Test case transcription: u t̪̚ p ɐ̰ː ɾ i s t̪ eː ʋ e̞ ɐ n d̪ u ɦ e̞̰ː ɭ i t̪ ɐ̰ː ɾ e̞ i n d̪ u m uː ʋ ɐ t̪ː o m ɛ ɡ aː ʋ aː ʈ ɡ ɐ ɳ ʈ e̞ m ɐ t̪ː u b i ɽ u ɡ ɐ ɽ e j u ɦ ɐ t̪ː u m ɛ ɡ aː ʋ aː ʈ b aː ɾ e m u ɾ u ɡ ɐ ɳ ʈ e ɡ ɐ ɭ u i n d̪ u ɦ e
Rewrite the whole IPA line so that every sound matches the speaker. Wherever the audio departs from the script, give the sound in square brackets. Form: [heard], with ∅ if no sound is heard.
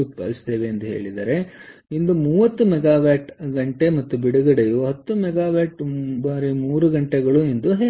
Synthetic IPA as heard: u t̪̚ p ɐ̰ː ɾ i s t̪ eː ʋ e̞ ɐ n d̪ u ɦ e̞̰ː ɭ i [d̪] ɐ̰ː ɾ e̞ i n d̪ u m uː ʋ ɐ t̪ː [u] m ɛ ɡ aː ʋ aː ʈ ɡ ɐ ɳ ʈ e̞ m ɐ t̪ː u b i ɽ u ɡ ɐ ɽ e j u ɦ ɐ t̪ː u m ɛ ɡ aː ʋ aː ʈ b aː ɾ [i] m [uː] ɾ u ɡ ɐ ɳ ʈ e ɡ ɐ ɭ u i n d̪ u ɦ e